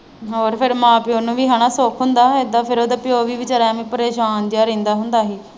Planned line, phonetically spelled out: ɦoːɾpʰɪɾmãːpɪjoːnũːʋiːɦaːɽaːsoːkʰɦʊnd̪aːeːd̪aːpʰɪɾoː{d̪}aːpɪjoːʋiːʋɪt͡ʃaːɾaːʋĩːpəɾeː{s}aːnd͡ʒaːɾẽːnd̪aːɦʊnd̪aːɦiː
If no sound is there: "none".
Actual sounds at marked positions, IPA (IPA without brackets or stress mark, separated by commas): d̪, ʃ